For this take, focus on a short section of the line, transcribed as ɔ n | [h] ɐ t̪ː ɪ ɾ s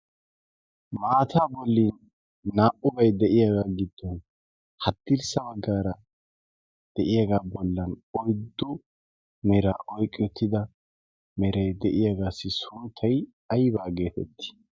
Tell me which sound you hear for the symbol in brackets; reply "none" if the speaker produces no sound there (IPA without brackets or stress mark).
h